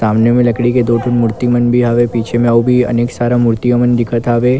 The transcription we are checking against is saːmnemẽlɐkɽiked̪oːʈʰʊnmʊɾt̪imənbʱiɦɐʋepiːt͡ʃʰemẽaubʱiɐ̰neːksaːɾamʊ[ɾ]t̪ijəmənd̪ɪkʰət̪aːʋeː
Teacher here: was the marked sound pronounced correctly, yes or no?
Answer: yes